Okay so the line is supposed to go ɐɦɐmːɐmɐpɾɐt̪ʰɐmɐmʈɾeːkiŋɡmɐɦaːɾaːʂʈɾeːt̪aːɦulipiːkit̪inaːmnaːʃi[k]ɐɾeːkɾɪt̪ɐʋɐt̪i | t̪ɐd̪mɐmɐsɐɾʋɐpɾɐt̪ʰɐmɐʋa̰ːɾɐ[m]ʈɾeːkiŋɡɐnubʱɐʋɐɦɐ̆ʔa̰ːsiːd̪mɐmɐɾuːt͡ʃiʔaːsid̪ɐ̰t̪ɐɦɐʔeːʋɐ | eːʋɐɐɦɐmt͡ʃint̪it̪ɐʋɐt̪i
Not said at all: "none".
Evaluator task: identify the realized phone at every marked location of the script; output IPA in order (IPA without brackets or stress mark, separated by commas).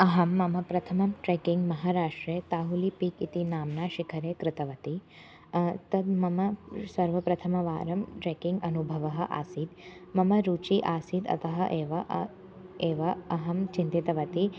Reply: kʰ, m